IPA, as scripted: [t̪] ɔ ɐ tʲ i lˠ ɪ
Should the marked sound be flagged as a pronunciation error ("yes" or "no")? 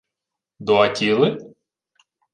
yes